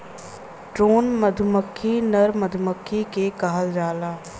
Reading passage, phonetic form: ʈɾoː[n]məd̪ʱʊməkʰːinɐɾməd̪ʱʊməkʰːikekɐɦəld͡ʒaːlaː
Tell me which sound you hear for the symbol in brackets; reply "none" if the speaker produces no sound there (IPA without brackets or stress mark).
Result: n